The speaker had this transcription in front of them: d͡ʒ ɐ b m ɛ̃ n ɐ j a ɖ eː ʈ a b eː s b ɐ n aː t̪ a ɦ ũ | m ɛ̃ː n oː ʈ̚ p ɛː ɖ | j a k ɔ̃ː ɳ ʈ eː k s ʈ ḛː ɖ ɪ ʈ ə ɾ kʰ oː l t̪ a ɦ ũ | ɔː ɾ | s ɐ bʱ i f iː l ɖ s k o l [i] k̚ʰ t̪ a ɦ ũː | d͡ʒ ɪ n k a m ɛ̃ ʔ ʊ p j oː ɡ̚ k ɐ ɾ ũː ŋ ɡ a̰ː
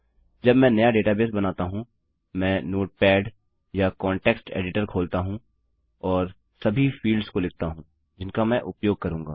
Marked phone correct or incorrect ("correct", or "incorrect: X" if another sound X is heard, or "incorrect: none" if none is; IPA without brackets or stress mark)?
incorrect: ɪ